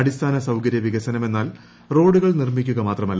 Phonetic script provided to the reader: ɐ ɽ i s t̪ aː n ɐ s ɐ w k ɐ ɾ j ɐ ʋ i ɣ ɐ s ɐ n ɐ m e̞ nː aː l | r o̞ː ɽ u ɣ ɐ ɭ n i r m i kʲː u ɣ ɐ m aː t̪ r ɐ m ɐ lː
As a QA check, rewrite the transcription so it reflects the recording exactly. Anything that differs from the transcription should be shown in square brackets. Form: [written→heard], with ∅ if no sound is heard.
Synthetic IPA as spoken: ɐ ɽ i s [t̪→t̪ʰ] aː n ɐ s ɐ w k ɐ ɾ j ɐ ʋ i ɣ ɐ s ɐ n ɐ m e̞ nː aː l | r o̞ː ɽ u ɣ ɐ ɭ n i r m i kʲː u ɣ ɐ m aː t̪ r ɐ m ɐ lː